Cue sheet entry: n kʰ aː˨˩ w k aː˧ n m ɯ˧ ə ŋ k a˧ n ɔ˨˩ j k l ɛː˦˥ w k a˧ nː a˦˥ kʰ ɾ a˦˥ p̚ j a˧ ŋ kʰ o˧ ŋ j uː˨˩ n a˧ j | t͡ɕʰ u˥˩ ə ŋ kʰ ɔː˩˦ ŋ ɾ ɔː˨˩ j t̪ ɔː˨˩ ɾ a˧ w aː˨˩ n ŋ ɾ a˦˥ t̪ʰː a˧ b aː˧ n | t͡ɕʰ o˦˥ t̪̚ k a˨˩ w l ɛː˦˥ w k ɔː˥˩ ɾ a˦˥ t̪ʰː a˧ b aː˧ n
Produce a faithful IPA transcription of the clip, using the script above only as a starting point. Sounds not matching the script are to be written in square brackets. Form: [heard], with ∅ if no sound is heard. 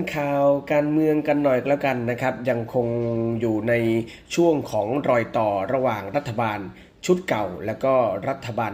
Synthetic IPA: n kʰ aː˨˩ w k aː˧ n m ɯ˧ ə ŋ k a˧ [nː] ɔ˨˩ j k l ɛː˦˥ w k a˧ nː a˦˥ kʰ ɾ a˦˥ p̚ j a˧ ŋ kʰ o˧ ŋ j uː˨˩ n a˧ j | t͡ɕʰ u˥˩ ə ŋ kʰ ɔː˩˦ ŋ ɾ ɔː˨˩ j t̪ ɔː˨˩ ɾ a˧ w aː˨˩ [∅] ŋ ɾ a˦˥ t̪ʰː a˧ b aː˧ n | t͡ɕʰ [u˦˥] t̪̚ k a˨˩ w l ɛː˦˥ w k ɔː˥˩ ɾ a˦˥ t̪ʰː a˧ b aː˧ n